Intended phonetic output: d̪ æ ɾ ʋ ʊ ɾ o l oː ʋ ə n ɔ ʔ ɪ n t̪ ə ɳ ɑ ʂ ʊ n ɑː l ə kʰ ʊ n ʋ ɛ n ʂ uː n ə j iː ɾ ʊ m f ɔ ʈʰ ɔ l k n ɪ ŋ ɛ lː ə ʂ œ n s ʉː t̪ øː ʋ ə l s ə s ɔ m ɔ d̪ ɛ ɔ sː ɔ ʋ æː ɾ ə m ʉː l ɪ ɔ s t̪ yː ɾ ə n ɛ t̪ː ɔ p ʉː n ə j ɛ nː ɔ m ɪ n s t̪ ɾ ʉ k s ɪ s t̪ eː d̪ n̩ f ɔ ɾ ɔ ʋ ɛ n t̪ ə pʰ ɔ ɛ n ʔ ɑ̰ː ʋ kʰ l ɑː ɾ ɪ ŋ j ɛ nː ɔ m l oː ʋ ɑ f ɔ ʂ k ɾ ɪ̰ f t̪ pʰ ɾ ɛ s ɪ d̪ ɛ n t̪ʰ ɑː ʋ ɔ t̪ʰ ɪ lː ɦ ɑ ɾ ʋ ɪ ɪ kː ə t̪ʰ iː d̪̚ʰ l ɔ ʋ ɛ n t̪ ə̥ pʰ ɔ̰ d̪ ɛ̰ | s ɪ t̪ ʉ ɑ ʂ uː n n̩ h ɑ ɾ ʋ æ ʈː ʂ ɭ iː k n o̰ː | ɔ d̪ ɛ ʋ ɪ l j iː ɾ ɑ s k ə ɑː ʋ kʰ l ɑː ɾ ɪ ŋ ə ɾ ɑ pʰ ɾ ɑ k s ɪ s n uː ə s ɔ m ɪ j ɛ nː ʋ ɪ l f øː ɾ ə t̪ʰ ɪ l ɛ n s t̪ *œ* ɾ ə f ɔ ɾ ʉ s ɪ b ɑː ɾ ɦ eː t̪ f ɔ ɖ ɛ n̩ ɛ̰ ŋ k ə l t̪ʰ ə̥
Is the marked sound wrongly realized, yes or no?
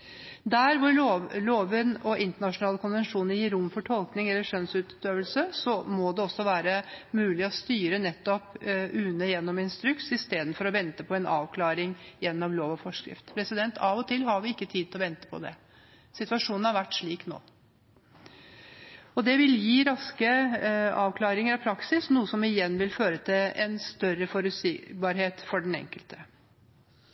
no